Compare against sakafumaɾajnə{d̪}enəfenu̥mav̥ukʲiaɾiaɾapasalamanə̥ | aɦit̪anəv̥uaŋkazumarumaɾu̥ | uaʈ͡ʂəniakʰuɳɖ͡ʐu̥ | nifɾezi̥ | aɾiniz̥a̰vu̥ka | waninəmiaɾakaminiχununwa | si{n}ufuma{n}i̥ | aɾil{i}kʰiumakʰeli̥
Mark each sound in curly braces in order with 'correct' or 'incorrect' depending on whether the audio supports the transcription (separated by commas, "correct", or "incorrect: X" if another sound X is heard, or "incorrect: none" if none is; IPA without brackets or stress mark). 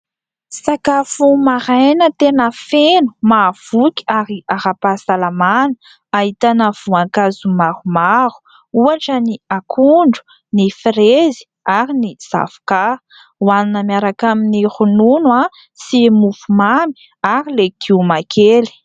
incorrect: t̪, incorrect: m, incorrect: m, incorrect: e